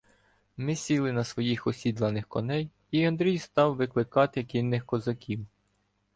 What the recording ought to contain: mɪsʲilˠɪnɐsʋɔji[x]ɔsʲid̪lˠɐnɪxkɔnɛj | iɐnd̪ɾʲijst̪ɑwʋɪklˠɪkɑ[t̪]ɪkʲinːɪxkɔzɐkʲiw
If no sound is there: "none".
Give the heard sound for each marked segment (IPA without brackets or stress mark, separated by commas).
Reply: x, t̪